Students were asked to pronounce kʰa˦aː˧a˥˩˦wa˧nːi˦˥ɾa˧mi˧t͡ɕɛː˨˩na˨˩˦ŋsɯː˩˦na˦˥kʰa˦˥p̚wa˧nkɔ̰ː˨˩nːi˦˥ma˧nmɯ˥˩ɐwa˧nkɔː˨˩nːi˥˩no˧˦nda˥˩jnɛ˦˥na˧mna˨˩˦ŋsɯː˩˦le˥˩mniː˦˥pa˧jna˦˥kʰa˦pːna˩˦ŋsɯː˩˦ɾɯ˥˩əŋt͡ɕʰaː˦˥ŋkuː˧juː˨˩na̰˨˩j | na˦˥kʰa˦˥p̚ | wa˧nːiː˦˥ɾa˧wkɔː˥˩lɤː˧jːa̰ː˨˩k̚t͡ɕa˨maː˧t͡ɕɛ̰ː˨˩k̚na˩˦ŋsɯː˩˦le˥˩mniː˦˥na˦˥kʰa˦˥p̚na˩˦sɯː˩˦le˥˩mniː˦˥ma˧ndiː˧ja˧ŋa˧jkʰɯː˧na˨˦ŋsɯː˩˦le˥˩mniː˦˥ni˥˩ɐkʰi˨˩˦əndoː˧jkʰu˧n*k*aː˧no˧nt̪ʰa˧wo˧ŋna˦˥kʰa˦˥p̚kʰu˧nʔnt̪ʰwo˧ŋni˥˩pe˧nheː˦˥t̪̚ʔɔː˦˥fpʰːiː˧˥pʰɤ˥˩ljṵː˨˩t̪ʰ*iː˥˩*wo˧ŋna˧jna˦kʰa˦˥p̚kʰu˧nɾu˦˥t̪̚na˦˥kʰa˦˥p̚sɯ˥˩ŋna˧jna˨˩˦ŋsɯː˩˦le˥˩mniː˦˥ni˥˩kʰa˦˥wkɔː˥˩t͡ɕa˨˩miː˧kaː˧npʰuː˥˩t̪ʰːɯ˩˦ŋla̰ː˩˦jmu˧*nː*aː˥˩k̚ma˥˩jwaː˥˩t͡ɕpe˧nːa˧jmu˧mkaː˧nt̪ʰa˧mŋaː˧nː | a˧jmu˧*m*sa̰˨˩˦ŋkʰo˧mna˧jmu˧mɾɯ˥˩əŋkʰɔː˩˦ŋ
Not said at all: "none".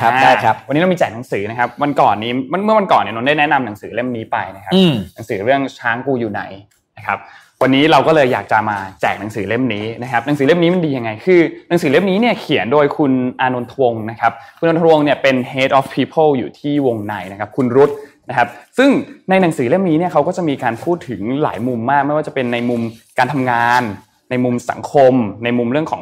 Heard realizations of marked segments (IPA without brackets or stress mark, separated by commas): ʔ, iː˥˩, mː, m